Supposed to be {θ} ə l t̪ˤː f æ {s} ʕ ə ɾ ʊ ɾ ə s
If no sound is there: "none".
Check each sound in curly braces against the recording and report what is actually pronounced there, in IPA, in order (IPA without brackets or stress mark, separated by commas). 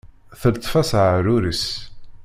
θ, s